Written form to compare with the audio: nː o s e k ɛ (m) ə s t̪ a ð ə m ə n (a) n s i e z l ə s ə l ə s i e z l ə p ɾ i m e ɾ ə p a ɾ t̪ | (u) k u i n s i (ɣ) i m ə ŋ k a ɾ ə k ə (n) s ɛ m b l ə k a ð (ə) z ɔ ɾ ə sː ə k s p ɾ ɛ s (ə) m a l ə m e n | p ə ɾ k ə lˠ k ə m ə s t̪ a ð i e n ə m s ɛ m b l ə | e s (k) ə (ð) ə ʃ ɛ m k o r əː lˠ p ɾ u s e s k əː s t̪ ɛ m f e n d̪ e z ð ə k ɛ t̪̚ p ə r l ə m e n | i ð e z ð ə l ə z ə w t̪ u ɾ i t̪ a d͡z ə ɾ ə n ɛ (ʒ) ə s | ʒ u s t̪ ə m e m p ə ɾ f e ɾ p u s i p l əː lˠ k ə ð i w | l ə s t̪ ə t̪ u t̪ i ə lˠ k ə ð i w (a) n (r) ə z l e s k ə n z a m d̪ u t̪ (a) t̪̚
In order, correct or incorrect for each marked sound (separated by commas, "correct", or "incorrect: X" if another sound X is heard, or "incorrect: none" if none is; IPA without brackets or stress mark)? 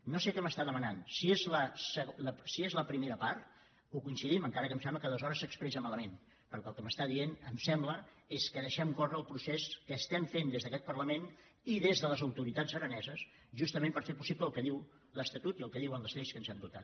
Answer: correct, correct, correct, incorrect: ð, incorrect: m, correct, correct, correct, correct, incorrect: z, incorrect: ə, incorrect: l, correct